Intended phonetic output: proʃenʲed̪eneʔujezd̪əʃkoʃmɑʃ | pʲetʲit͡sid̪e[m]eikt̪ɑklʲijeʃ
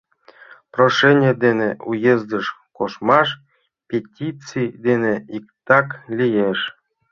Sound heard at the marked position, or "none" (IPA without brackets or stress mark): n